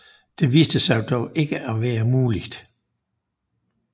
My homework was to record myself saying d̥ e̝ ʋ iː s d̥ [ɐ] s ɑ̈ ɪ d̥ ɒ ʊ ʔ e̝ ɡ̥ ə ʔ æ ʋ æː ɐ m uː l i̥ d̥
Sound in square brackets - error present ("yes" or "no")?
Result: yes